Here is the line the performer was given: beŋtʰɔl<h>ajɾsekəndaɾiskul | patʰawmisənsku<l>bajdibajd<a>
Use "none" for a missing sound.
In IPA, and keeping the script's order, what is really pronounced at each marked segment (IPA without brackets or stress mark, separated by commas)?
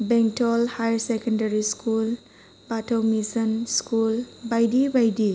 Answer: h, l, i